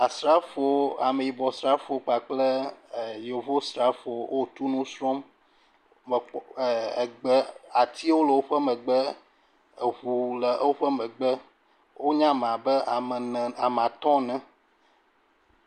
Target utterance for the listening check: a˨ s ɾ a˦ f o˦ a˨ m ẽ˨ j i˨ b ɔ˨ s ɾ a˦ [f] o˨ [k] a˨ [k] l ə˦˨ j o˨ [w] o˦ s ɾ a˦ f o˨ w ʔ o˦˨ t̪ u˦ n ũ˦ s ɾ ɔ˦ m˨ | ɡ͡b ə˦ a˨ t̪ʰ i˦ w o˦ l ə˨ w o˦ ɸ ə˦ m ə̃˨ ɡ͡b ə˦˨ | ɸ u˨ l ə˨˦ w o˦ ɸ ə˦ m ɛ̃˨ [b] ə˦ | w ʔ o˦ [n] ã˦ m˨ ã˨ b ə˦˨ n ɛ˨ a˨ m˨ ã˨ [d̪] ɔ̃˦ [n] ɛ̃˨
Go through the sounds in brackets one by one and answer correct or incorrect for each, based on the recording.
correct, incorrect, incorrect, incorrect, incorrect, incorrect, incorrect, correct

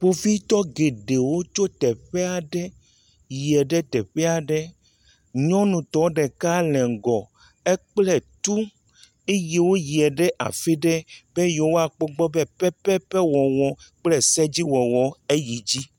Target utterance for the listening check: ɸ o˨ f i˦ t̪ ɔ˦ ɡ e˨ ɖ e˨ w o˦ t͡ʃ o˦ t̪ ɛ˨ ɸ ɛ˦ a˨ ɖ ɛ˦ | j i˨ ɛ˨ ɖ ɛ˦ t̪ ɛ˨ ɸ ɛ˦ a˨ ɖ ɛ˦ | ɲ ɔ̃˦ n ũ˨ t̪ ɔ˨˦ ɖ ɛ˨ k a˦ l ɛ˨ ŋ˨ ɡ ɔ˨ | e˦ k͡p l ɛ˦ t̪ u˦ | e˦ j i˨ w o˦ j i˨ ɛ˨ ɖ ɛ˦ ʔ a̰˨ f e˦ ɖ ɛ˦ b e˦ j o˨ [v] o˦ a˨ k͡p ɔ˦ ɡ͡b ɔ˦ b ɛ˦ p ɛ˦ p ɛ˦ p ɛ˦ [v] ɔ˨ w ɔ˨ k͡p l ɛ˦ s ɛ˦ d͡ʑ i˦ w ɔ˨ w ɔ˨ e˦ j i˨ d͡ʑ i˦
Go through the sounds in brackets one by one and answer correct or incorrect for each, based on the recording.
incorrect, incorrect

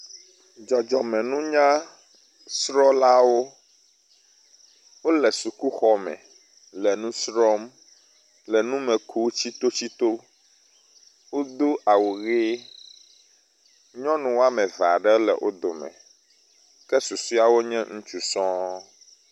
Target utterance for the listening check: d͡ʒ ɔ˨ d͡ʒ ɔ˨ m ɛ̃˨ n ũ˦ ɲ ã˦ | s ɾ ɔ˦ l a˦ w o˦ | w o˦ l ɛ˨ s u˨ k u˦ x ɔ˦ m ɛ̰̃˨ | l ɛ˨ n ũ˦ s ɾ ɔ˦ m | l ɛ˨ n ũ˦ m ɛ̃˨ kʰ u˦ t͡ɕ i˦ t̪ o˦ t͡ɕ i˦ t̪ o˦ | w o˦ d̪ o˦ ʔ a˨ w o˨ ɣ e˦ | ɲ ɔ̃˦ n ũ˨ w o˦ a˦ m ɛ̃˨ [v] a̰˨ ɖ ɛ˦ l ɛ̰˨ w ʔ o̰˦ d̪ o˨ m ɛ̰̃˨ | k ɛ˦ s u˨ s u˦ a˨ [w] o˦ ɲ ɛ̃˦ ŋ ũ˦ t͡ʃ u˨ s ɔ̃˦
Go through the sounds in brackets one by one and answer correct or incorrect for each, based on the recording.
correct, correct

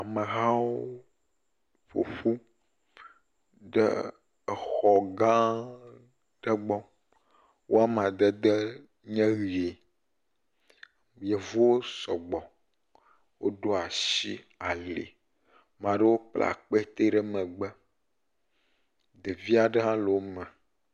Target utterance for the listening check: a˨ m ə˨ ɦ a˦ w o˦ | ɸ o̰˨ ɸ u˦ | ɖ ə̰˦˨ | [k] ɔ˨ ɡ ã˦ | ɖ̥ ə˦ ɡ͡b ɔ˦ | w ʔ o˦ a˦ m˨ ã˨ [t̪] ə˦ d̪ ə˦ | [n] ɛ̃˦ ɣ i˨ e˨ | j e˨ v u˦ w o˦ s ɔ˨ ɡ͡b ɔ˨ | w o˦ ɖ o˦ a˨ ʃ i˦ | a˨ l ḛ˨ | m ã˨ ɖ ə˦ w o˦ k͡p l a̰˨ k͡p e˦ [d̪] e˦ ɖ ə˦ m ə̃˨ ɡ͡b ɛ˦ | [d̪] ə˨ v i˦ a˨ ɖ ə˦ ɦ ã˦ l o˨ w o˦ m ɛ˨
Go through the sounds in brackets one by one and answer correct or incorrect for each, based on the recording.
incorrect, incorrect, incorrect, incorrect, correct

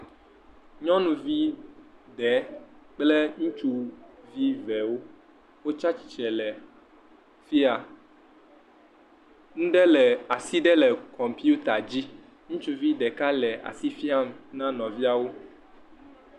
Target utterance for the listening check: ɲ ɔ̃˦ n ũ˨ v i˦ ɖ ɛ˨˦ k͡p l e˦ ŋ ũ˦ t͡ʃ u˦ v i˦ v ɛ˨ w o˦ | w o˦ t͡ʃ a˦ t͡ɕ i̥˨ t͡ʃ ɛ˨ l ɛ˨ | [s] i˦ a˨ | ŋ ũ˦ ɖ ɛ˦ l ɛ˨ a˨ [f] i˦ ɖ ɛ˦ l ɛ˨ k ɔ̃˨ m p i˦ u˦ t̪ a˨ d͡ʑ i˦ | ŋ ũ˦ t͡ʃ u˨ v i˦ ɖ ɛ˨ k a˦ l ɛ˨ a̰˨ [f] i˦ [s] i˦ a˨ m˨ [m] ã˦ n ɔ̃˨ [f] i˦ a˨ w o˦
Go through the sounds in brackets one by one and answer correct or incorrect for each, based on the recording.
incorrect, incorrect, incorrect, incorrect, incorrect, incorrect

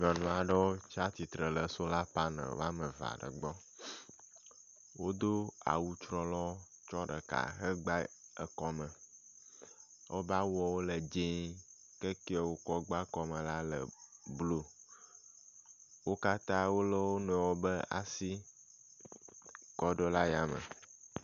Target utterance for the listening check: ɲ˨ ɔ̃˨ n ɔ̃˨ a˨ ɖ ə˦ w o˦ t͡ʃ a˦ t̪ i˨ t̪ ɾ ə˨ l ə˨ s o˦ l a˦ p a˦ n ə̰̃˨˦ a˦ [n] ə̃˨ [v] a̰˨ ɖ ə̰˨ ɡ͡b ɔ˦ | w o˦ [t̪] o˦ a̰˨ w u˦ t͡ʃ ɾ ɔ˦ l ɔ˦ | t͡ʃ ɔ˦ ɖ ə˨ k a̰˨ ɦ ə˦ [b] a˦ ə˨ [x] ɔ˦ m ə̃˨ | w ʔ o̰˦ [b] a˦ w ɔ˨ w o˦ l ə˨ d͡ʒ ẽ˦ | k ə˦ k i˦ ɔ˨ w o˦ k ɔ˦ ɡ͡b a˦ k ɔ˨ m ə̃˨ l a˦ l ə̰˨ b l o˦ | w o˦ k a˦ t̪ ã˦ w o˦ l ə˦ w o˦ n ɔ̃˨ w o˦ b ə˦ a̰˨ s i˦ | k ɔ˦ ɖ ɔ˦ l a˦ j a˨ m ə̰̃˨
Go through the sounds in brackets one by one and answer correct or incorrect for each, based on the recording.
incorrect, correct, incorrect, incorrect, incorrect, correct

